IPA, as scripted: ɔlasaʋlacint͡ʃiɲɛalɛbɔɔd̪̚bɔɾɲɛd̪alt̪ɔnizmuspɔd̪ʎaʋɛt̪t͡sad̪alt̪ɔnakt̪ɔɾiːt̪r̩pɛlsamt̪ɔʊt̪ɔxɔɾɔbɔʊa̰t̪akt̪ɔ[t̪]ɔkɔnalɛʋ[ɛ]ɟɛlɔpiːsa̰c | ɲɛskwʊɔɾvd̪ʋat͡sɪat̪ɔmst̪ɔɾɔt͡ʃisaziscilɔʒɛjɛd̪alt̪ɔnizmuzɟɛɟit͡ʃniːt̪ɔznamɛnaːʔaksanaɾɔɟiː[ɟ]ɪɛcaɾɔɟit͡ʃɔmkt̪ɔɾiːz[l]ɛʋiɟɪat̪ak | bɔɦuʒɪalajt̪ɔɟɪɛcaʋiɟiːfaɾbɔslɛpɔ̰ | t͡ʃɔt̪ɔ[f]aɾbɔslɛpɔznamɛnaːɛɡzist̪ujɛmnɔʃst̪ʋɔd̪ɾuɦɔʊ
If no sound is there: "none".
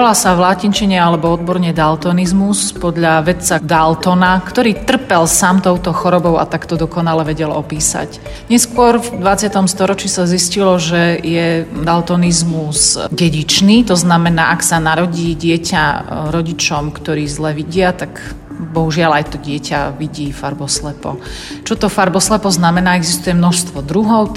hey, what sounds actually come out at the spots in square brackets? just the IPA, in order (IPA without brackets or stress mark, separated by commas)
d̪, ɛ, ɟ, l, f